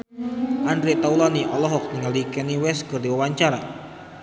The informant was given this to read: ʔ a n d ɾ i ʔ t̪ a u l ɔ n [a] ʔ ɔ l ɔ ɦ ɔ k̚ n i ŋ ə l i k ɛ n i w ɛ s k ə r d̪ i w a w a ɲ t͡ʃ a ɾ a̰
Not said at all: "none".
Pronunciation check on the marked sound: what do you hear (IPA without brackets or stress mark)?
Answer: i